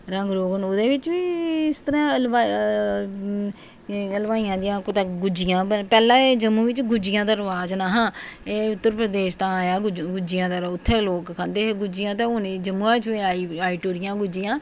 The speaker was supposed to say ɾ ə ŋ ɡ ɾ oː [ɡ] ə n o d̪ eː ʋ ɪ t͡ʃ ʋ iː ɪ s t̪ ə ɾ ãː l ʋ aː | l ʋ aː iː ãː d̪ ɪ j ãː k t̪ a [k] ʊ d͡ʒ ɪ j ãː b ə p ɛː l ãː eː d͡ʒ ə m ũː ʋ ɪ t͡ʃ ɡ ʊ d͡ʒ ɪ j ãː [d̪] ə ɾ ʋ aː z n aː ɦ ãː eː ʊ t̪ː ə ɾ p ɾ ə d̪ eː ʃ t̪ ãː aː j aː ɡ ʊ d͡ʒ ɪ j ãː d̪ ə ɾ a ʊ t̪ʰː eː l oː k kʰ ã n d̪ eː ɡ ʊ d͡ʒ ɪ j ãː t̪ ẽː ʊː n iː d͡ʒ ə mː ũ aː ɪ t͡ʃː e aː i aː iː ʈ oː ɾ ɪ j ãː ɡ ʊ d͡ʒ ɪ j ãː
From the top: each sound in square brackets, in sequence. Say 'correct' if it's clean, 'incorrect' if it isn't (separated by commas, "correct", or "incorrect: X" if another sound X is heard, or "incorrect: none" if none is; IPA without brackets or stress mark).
correct, incorrect: ɡ, correct